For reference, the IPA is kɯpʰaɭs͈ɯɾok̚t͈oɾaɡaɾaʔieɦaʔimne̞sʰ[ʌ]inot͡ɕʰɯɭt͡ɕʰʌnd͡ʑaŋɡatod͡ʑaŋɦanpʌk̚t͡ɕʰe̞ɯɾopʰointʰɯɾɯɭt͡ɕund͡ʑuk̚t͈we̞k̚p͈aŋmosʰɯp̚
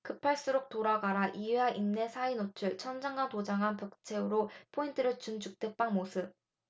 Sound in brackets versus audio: incorrect: a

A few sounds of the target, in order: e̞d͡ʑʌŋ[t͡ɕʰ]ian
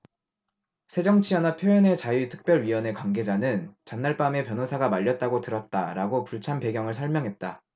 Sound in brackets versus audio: correct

